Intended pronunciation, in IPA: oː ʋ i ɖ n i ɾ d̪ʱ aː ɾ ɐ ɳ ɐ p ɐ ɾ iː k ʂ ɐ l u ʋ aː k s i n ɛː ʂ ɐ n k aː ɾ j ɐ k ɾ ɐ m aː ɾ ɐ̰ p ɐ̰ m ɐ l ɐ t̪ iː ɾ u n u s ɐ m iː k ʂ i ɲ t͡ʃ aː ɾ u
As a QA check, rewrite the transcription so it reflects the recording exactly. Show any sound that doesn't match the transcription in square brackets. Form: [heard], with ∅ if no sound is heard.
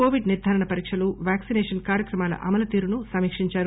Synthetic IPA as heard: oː ʋ i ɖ n i ɾ d̪ʱ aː ɾ ɐ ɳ ɐ p ɐ ɾ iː k ʂ ɐ l u ʋ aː k s i n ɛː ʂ ɐ n k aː ɾ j ɐ k ɾ ɐ m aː [l] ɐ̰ [ʔ] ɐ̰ m ɐ l ɐ t̪ iː ɾ u n u s ɐ m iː k ʂ i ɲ t͡ʃ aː ɾ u